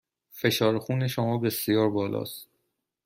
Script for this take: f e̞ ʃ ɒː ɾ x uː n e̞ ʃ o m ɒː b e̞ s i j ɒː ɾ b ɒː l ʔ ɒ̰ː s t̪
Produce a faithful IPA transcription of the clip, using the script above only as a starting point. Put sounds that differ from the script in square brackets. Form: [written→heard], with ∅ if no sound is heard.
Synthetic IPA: f e̞ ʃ ɒː ɾ x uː n e̞ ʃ o m ɒː b e̞ s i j ɒː ɾ b ɒː l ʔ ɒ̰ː s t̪